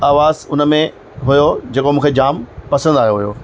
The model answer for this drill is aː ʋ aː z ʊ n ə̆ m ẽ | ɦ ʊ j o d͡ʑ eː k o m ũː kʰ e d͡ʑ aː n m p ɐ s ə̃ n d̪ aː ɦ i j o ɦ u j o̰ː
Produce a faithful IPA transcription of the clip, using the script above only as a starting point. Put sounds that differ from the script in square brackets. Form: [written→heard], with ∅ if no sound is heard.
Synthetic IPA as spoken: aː ʋ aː z ʊ n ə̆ m ẽ | ɦ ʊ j o d͡ʑ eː k o m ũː kʰ e d͡ʑ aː [n→∅] m p ɐ s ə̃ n d̪ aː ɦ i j o ɦ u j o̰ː